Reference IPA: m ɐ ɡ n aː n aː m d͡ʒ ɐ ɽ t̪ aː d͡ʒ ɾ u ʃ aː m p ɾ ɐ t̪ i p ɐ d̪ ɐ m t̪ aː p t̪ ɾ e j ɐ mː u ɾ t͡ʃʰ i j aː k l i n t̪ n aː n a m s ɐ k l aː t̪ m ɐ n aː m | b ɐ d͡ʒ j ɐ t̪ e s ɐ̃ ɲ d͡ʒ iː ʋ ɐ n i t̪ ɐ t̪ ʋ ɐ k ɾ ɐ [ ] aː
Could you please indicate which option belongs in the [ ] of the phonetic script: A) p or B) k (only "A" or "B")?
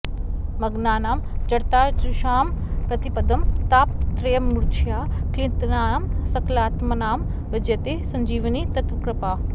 A